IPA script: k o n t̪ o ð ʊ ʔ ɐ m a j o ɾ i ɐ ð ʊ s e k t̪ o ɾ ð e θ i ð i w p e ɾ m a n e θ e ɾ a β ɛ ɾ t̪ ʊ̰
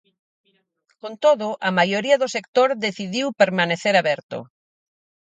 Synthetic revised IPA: k o n t̪ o ð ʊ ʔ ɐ m a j o ɾ i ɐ ð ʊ s e k t̪ o ɾ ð e θ i ð i w p e ɾ m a n e θ e ɾ a β ɛ ɾ t̪ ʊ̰